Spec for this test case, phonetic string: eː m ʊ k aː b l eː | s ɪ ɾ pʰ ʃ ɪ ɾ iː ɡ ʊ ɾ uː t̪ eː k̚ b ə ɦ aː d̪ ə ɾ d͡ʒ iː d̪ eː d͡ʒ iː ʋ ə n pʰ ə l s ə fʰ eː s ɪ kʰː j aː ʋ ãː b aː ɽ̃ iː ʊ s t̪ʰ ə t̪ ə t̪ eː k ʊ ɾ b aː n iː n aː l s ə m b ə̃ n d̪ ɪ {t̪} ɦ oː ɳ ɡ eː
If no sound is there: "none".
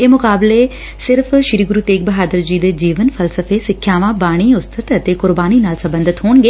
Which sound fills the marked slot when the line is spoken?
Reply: t̪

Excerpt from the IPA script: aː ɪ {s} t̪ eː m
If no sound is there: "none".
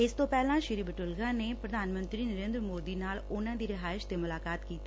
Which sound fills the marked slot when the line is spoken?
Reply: ʃ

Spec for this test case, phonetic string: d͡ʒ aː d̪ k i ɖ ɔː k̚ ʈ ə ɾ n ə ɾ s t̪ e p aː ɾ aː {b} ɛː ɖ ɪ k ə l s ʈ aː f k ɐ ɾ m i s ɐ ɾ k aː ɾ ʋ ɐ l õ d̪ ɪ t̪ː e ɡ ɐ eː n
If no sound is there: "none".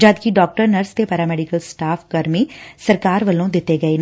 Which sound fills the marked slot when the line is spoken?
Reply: m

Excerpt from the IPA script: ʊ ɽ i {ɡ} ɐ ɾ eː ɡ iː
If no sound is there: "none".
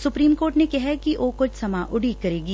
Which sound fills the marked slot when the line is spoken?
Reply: k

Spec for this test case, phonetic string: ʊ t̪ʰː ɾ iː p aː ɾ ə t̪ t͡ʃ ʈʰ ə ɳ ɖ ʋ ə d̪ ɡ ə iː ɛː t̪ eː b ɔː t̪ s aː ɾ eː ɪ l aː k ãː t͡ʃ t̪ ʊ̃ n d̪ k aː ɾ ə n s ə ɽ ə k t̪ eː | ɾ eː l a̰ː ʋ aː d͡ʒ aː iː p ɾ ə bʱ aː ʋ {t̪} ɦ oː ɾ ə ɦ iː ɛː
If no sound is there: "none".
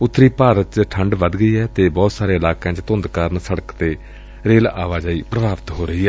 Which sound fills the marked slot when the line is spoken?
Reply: t̪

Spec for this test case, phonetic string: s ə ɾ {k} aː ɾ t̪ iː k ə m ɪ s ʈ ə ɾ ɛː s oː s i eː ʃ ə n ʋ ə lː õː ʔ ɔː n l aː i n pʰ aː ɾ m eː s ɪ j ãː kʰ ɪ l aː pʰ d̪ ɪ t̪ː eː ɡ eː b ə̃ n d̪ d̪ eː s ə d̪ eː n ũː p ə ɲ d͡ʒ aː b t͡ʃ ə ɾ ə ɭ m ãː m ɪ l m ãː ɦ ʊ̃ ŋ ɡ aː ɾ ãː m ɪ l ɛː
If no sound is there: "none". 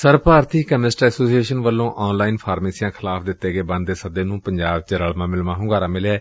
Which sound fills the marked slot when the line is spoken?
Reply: p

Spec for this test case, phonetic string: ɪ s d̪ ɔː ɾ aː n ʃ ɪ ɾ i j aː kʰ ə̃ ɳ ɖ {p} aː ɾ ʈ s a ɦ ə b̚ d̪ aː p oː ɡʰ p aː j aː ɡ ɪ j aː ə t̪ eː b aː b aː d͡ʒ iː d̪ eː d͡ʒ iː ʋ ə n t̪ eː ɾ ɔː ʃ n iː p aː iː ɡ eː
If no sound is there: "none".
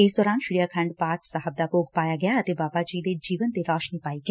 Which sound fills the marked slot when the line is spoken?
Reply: p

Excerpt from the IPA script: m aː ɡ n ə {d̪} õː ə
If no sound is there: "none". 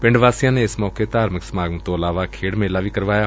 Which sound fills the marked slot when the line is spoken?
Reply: t̪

